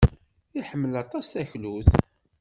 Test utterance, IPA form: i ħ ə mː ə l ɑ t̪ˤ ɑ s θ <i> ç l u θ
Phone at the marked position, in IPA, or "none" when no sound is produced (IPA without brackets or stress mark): æ